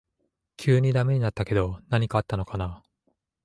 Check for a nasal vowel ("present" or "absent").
absent